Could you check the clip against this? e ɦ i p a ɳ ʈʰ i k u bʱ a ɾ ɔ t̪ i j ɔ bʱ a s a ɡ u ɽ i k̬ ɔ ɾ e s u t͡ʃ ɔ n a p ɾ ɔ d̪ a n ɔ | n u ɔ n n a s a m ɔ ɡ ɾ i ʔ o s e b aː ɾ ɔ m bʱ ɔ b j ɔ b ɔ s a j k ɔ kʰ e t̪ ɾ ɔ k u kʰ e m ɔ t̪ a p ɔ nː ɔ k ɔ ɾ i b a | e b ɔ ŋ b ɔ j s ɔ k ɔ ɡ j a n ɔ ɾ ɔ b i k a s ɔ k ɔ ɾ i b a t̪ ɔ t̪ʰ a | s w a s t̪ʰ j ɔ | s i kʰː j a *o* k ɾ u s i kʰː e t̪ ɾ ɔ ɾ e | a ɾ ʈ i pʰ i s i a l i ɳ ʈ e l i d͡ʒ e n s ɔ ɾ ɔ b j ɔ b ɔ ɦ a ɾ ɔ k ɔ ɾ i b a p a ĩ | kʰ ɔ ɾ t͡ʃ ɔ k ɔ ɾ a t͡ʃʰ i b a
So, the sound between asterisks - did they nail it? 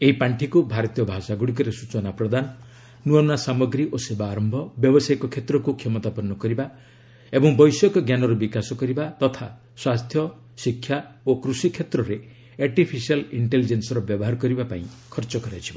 yes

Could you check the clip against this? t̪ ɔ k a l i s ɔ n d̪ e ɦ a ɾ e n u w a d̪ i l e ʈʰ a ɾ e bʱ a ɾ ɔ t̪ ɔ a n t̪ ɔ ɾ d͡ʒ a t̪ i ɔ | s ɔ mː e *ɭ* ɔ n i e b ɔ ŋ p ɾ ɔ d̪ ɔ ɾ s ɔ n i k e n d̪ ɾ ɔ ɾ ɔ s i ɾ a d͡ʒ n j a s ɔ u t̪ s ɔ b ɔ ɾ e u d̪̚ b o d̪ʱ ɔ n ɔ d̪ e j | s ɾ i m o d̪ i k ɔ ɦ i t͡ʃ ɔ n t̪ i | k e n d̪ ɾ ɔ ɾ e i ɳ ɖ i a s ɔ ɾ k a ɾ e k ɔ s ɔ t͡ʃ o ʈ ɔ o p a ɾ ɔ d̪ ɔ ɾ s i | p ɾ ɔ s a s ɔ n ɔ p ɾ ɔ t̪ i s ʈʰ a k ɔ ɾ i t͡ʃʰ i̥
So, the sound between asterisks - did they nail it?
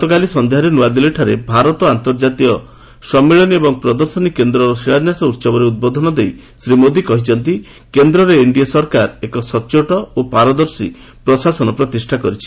yes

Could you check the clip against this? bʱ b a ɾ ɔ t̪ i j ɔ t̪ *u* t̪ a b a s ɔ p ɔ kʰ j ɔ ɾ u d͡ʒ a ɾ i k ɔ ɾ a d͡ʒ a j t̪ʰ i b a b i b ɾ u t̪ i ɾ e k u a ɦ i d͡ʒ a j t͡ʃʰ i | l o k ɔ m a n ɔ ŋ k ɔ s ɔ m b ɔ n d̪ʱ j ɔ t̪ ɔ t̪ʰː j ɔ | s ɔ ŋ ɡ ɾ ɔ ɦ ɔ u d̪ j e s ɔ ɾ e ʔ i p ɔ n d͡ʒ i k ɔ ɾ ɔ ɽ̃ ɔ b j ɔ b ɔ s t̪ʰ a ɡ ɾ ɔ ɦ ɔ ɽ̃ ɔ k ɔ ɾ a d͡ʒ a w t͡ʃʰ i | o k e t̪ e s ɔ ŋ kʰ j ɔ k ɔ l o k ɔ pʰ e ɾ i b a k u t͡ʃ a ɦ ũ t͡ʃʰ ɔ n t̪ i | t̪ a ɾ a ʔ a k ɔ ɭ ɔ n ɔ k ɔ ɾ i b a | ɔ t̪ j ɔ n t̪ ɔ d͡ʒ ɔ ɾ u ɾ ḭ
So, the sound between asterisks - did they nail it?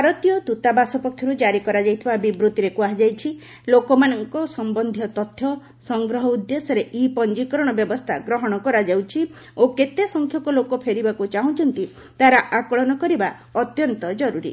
yes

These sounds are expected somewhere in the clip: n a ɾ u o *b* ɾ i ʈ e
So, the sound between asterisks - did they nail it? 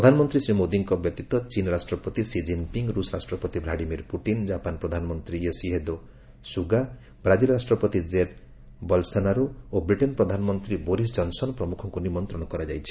yes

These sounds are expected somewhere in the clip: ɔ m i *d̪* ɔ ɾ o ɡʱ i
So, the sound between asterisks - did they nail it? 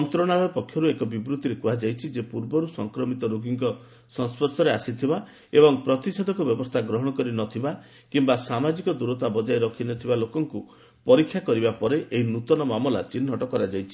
no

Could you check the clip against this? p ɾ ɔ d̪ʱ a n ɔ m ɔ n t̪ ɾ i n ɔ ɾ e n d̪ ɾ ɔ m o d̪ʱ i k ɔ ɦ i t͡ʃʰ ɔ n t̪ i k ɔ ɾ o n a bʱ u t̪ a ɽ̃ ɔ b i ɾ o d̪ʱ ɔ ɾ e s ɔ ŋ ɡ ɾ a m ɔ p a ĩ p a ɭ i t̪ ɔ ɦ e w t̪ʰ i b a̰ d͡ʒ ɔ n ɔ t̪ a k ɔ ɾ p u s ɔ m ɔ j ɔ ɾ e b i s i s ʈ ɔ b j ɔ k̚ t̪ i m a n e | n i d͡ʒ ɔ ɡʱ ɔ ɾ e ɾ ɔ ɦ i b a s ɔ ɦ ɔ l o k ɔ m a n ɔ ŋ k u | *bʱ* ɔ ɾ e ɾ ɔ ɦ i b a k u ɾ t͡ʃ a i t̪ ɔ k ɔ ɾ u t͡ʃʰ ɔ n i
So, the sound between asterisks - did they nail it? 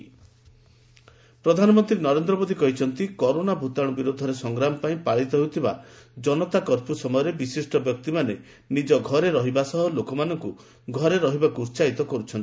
no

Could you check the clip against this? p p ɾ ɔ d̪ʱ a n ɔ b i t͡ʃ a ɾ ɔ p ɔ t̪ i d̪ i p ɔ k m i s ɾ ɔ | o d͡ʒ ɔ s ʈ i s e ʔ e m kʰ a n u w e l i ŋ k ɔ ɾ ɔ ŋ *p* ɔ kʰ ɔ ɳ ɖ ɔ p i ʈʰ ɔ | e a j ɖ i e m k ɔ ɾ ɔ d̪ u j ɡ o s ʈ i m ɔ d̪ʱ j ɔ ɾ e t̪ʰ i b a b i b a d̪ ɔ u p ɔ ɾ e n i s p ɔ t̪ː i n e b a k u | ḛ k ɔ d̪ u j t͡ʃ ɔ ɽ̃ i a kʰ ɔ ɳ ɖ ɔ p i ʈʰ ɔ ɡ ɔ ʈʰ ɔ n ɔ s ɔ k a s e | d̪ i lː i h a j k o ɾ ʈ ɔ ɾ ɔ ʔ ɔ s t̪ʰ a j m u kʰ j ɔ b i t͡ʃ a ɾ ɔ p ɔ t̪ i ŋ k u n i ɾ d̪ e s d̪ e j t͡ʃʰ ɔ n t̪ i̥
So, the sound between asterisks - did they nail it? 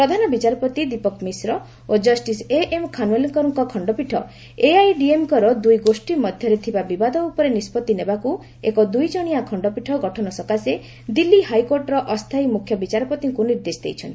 no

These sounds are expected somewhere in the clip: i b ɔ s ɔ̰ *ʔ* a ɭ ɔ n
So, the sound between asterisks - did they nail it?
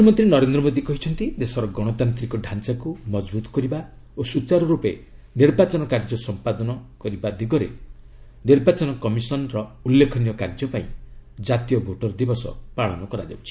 no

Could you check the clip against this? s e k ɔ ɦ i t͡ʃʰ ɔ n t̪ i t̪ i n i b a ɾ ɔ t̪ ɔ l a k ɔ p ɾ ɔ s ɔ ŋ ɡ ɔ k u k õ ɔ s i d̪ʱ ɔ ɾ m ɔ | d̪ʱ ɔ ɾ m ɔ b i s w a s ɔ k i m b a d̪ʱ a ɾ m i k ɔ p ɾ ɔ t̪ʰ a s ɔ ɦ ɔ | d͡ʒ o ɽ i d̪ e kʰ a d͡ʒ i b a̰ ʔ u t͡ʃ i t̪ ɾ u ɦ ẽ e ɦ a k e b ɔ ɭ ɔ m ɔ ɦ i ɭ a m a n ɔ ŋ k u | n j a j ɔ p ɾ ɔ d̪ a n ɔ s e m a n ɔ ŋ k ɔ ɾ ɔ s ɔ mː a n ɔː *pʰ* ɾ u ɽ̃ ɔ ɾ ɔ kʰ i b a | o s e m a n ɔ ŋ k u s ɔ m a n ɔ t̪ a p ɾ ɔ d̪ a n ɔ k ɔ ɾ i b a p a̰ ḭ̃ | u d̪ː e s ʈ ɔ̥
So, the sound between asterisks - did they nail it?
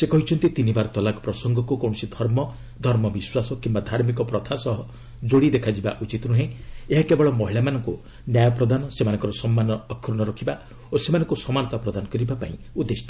no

